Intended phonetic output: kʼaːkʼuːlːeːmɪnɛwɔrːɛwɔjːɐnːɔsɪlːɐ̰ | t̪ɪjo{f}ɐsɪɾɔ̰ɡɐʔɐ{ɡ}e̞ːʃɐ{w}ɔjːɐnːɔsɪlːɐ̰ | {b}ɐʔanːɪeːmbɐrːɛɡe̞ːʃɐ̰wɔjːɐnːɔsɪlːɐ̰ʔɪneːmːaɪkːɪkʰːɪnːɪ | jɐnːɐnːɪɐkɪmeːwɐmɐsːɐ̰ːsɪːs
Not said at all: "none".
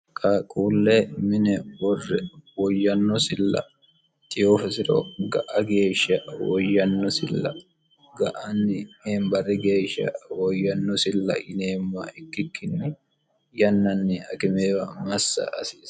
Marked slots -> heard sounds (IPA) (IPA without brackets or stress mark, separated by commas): f, ɡ, w, ɡ